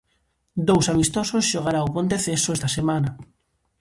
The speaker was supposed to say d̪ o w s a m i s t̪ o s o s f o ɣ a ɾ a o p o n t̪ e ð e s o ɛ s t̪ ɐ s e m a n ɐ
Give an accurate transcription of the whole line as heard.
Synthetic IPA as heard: d̪ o w s a m i s t̪ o s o s ʃ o ɣ a ɾ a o p o n t̪ e θ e s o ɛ s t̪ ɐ s e m a n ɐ